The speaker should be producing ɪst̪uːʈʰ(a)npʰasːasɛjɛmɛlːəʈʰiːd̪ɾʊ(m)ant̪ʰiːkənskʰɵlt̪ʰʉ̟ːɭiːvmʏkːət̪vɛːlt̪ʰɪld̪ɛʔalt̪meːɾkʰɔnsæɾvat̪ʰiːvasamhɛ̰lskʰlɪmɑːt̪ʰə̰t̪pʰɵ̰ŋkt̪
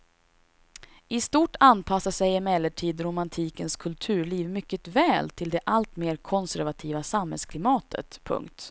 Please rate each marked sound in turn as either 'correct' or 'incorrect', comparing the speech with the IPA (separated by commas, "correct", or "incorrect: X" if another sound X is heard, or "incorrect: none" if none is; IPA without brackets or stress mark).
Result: correct, correct